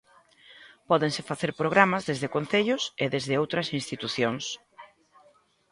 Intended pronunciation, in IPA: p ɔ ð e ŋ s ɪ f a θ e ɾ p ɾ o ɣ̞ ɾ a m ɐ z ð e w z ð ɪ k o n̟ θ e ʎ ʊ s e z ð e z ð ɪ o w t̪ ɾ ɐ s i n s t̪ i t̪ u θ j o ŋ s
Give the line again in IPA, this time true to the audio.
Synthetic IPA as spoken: p ɔ ð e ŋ s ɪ f a θ e ɾ p ɾ o ɣ̞ ɾ a m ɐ z ð e z ð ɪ k o n̟ θ e ʎ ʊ s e ð e z ð ɪ o w t̪ ɾ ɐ s i n s t̪ i t̪ u θ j o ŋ s